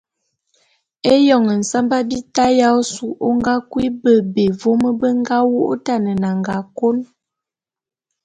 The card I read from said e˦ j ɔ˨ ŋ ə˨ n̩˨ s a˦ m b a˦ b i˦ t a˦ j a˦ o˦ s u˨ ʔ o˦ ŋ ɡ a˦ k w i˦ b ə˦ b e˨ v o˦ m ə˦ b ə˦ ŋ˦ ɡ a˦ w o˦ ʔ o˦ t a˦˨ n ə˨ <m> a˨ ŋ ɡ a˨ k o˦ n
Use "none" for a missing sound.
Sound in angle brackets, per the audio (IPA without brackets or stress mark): n